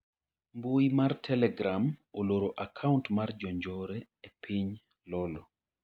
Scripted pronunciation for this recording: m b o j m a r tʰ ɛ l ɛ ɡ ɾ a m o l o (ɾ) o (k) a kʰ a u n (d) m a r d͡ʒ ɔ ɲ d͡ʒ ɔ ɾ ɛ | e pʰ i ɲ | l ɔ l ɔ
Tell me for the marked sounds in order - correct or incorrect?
correct, incorrect: ʔ, incorrect: t

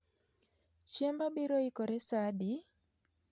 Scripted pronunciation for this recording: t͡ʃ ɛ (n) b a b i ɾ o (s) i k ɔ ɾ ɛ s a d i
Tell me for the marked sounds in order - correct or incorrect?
incorrect: m, incorrect: none

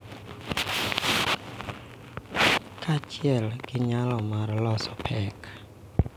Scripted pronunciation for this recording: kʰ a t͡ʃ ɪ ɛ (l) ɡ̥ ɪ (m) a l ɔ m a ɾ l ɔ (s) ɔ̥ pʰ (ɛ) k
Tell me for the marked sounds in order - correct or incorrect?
correct, incorrect: ɲ, correct, correct

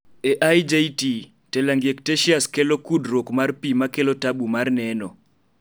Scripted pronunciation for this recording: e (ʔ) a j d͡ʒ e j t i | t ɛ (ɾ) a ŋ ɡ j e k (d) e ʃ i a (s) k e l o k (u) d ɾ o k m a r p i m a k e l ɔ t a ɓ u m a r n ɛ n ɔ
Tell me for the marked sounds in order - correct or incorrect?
correct, incorrect: l, incorrect: t, correct, correct

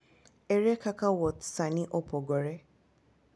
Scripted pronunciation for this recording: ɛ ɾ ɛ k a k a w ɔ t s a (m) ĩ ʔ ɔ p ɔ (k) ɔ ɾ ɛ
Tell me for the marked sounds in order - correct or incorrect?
incorrect: n, incorrect: ɡ

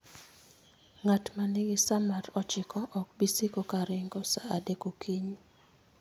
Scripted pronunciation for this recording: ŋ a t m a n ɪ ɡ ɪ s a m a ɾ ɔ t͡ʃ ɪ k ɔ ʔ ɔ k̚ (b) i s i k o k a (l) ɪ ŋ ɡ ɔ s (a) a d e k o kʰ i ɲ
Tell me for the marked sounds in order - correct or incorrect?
correct, incorrect: ɾ, correct

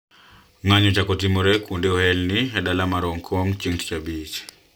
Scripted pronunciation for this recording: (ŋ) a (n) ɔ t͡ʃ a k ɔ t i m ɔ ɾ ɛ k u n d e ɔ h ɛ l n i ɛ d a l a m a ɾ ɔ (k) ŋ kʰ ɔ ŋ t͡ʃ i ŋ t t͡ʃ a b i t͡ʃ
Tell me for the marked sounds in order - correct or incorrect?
correct, incorrect: ɲ, incorrect: none

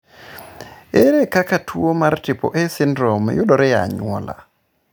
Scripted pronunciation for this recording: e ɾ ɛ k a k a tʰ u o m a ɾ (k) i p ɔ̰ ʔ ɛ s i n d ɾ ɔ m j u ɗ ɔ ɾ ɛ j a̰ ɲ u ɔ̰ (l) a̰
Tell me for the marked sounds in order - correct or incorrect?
incorrect: t, correct

